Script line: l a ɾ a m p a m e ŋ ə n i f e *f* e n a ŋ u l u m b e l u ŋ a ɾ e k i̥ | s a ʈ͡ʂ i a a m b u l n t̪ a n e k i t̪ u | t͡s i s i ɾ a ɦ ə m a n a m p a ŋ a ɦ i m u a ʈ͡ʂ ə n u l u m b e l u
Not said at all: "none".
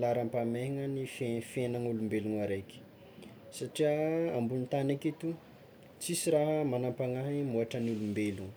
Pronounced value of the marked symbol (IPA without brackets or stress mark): f